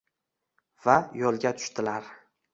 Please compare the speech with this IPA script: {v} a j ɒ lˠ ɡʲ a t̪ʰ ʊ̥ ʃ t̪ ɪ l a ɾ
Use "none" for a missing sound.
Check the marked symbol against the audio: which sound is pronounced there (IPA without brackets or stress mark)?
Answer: v